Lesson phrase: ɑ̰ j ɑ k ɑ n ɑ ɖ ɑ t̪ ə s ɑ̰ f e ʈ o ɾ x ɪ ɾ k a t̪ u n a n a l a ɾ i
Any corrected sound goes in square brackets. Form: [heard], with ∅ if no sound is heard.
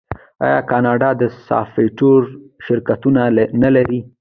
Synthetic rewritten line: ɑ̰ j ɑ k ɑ n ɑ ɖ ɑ [d̪] ə s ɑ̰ f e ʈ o ɾ [ʃ] ɪ ɾ k a t̪ u n a n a l a ɾ i